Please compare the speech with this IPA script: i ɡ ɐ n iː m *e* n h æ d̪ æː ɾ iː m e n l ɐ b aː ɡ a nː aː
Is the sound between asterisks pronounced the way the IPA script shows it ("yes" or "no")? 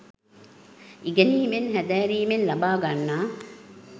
yes